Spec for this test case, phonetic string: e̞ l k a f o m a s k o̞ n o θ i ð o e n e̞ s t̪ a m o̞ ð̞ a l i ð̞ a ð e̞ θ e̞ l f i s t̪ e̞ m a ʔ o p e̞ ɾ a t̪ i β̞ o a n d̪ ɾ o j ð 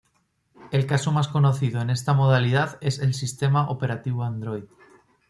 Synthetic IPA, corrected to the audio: e̞ l k a s o m a s k o̞ n o θ i ð o e n e̞ s t̪ a m o̞ ð̞ a l i ð̞ a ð e̞ s e̞ l s i s t̪ e̞ m a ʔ o p e̞ ɾ a t̪ i β̞ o a n d̪ ɾ o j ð